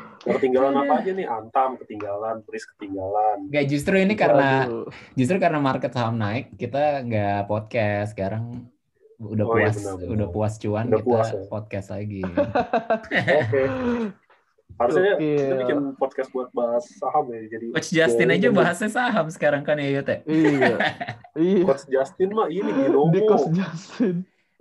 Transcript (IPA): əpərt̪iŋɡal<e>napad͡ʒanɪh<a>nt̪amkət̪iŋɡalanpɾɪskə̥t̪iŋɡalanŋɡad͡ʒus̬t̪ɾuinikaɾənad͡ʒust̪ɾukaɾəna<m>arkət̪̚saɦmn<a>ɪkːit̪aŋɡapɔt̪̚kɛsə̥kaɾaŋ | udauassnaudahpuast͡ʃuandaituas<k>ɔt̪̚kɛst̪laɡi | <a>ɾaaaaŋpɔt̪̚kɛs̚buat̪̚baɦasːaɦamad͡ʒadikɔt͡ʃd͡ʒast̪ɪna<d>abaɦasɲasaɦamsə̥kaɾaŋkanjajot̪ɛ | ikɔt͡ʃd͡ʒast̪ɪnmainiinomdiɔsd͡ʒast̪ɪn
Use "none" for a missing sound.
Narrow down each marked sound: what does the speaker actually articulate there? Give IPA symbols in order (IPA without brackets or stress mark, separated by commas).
a, a, m, a, p, a, d͡ʒ